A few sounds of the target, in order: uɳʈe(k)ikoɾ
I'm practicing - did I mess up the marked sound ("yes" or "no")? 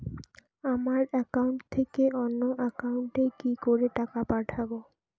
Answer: no